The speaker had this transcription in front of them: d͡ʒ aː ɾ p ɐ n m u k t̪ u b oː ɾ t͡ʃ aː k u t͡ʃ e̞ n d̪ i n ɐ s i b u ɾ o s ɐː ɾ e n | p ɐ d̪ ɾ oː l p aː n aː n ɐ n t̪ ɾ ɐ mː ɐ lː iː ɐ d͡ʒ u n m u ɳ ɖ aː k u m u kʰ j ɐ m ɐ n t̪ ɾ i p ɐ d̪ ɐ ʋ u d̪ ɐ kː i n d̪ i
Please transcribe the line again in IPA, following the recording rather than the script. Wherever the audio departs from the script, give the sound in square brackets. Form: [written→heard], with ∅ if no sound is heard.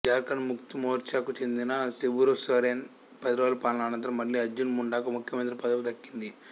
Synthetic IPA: d͡ʒ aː ɾ [p→k] ɐ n m u k t̪ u [b→m] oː ɾ t͡ʃ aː k u t͡ʃ e̞ n d̪ i n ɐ s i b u ɾ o s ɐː ɾ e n | p ɐ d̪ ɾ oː l p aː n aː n ɐ n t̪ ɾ ɐ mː ɐ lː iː ɐ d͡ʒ u n m u ɳ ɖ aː k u m u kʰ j ɐ m ɐ n t̪ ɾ i p ɐ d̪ ɐ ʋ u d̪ ɐ kː i n d̪ i

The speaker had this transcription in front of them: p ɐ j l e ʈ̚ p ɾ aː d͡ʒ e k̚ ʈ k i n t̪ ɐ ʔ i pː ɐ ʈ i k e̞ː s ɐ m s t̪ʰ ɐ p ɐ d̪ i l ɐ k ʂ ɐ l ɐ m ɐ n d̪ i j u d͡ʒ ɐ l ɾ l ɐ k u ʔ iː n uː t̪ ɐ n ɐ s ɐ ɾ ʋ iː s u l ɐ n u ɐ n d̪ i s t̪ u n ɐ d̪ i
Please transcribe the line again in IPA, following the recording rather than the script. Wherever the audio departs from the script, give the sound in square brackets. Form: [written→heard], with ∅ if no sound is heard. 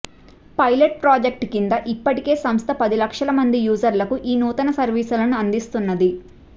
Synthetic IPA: p ɐ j l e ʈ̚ p ɾ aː d͡ʒ e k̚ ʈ k i n [t̪→d̪] ɐ ʔ i pː ɐ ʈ i k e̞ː s ɐ m s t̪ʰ ɐ p ɐ d̪ i l ɐ k ʂ ɐ l ɐ m ɐ n d̪ i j [u→uː] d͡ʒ ɐ [l→∅] ɾ l ɐ k u ʔ iː n uː t̪ ɐ n ɐ s ɐ ɾ ʋ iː s u l ɐ n u ɐ n d̪ i s t̪ u [n→nː] ɐ d̪ i

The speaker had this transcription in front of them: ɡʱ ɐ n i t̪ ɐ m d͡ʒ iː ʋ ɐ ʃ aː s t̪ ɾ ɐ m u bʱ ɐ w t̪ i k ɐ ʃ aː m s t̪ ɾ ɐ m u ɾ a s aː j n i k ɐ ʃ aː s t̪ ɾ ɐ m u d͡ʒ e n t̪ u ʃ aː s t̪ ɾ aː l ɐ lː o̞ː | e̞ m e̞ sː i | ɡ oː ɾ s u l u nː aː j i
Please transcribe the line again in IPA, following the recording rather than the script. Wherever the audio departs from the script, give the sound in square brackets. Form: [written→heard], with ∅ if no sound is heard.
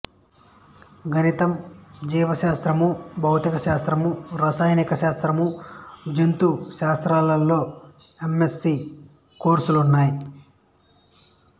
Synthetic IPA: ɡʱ ɐ n i t̪ ɐ m d͡ʒ iː ʋ ɐ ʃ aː s t̪ ɾ ɐ m u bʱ ɐ w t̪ i k ɐ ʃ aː [m→∅] s t̪ ɾ ɐ m u ɾ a s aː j n i k ɐ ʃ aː s t̪ ɾ ɐ m u d͡ʒ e n t̪ u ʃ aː s t̪ ɾ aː l ɐ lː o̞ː | e̞ m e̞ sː i | [ɡ→k] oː ɾ s u l u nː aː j i

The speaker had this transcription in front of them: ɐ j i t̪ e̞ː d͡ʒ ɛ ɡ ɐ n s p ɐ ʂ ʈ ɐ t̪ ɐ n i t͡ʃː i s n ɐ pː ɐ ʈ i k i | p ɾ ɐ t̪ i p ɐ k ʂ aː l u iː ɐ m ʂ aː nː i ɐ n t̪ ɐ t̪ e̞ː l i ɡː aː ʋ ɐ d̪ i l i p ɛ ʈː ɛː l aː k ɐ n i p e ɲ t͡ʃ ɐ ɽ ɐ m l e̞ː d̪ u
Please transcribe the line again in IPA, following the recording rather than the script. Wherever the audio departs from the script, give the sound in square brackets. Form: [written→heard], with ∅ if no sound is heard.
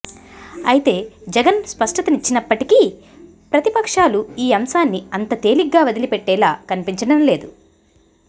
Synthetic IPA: ɐ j i t̪ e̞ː d͡ʒ ɛ ɡ ɐ n s p ɐ ʂ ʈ ɐ t̪ ɐ n i t͡ʃː i [s→∅] n ɐ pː ɐ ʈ i k i | p ɾ ɐ t̪ i p ɐ k ʂ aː l u iː ɐ m [ʂ→s] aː nː i ɐ n t̪ ɐ t̪ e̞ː l i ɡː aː ʋ ɐ d̪ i l i p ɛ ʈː ɛː l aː k ɐ n i p [e→i] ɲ t͡ʃ ɐ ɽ ɐ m l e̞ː d̪ u

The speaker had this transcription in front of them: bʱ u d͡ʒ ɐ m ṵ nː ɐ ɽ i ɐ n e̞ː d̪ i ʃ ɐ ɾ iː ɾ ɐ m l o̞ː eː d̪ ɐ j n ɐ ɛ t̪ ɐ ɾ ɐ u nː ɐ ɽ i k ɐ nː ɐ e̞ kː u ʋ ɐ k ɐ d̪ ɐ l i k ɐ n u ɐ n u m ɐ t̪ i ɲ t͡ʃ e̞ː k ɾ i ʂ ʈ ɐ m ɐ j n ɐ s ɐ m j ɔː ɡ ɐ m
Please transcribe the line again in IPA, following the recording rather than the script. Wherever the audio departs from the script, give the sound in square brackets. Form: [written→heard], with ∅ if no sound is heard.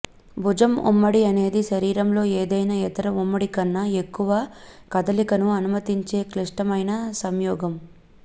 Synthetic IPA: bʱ u d͡ʒ ɐ m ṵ [nː→mː] ɐ ɽ i ɐ n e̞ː d̪ i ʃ ɐ ɾ iː ɾ ɐ m l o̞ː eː d̪ ɐ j n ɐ ɛ t̪ ɐ ɾ ɐ u [nː→mː] ɐ ɽ i k ɐ nː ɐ e̞ kː u ʋ ɐ k ɐ d̪ ɐ l i k ɐ n u ɐ n u m ɐ t̪ i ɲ t͡ʃ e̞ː k [ɾ→l] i ʂ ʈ ɐ m ɐ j n ɐ s ɐ m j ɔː ɡ ɐ m

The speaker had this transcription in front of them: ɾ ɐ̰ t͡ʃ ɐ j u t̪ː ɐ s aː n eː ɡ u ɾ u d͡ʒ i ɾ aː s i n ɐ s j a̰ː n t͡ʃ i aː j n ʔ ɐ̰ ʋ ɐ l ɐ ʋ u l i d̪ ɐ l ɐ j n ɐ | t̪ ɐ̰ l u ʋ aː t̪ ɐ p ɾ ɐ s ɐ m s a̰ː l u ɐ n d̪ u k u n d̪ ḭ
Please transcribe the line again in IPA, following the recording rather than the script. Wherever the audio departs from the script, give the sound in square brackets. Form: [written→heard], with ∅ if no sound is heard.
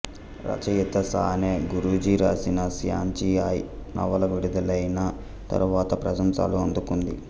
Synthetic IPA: ɾ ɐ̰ t͡ʃ ɐ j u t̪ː ɐ s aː n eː ɡ u ɾ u d͡ʒ i ɾ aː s i n ɐ s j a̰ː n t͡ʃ i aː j n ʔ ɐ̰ ʋ ɐ l ɐ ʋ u [l→ɽ] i d̪ ɐ l ɐ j n ɐ | t̪ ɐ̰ [l→ɾ] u ʋ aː t̪ ɐ p ɾ ɐ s ɐ m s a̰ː l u ɐ n d̪ u k u n d̪ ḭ

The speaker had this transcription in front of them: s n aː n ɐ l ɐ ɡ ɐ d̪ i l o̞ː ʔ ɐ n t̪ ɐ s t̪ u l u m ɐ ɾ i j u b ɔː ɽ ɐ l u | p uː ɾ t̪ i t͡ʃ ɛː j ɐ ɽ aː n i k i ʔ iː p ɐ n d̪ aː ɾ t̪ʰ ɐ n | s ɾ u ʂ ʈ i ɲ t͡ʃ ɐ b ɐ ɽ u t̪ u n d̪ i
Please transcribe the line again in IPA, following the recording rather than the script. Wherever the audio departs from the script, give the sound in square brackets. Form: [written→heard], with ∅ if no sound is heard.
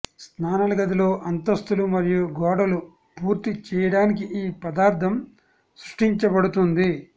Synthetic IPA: s n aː n ɐ l ɐ ɡ ɐ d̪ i l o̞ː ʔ ɐ n t̪ ɐ s t̪ u l u m ɐ ɾ i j u [b→ɡ] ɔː ɽ ɐ l u | p uː ɾ t̪ i t͡ʃ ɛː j ɐ ɽ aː n i k i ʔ iː p ɐ [n→∅] d̪ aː ɾ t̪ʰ ɐ [n→m] | s ɾ u ʂ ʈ i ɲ t͡ʃ ɐ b ɐ ɽ u t̪ u n d̪ i

